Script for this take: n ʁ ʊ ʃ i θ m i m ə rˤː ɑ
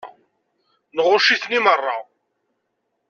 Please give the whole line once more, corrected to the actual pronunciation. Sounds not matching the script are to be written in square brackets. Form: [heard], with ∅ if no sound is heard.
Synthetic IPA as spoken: n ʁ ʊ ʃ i θ [n] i m ə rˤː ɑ